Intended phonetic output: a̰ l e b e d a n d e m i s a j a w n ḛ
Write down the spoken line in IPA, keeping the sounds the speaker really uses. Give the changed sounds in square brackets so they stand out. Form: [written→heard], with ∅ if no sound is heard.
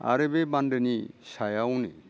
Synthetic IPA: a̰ [l→ɾ] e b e [d→b] a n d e [m→n] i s a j a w n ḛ